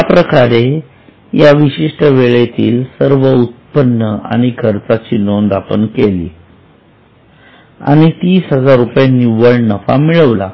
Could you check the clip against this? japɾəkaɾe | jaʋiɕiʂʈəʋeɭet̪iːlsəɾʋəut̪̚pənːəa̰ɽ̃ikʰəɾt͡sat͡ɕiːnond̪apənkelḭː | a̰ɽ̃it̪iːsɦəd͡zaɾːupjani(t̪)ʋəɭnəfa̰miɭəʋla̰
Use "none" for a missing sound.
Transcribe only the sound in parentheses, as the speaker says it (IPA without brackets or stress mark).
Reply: none